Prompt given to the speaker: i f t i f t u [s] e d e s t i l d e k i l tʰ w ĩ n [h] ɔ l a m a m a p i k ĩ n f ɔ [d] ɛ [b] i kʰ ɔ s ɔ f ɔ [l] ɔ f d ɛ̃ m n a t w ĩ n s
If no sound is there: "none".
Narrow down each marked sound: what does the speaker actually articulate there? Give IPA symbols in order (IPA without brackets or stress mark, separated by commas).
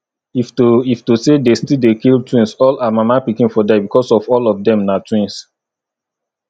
s, s, d, b, l